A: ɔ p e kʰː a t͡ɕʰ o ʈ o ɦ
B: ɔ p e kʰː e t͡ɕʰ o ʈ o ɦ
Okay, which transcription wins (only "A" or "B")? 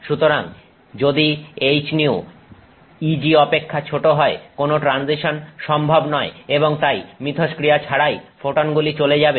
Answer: A